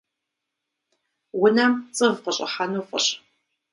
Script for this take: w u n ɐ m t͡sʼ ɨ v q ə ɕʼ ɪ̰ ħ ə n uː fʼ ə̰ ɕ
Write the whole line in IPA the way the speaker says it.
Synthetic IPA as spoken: w ʊ n ɐ m t͡sʼ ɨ v q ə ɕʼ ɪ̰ ħ a n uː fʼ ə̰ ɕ